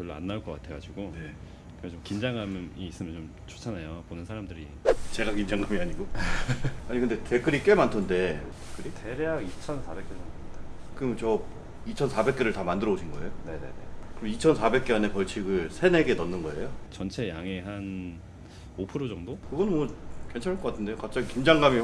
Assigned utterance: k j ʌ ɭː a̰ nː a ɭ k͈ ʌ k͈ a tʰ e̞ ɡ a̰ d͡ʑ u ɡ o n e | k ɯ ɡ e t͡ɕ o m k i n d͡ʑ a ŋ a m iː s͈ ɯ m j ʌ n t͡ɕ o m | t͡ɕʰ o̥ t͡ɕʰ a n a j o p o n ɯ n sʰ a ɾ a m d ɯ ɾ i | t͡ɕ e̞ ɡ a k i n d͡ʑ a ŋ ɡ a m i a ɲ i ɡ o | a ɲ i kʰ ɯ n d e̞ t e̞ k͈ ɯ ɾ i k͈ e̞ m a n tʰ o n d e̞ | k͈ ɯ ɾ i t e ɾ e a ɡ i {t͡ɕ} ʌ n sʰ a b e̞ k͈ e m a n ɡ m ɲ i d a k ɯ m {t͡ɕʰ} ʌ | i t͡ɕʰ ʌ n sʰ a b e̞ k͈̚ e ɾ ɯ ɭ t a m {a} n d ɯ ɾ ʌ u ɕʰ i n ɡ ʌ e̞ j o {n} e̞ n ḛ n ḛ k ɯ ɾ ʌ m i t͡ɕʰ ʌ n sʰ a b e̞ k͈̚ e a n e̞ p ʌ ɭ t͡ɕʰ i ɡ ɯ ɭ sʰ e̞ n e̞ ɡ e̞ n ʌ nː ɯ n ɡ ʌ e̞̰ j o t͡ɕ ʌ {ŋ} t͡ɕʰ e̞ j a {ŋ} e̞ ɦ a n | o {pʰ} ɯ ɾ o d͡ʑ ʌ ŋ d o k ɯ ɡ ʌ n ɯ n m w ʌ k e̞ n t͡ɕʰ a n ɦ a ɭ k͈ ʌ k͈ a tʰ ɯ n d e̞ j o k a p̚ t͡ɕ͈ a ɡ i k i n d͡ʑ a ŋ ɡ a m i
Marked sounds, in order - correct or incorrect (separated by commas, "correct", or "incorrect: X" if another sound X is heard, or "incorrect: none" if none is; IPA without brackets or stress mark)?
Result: incorrect: t͡ɕʰ, incorrect: t͡ɕ, correct, correct, incorrect: n, correct, correct